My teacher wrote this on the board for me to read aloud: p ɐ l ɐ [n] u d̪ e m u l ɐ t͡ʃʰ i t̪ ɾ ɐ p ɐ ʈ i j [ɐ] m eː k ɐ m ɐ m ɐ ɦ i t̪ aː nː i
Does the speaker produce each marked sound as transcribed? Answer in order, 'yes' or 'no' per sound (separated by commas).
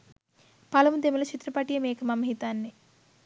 no, yes